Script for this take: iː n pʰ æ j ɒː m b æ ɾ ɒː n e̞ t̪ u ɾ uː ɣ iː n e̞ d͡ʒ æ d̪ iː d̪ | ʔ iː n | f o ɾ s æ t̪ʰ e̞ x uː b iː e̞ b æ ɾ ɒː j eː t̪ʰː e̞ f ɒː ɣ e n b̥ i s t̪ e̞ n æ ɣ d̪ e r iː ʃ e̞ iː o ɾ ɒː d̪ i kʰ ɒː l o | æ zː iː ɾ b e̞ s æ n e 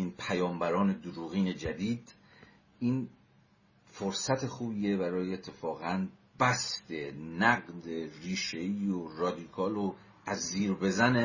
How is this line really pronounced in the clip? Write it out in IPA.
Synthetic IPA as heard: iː n pʰ æ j ɒː m b æ ɾ ɒː n e̞ d̪ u ɾ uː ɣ iː n e̞ d͡ʒ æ d̪ iː d̪ | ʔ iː n | f o ɾ s æ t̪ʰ e̞ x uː b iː e̞ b æ ɾ ɒː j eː t̪ʰː e̞ f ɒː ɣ æ n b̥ æ s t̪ e̞ n æ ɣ d̪ e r iː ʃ e̞ iː o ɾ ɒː d̪ i kʰ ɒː l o | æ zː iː ɾ b e̞ z æ n e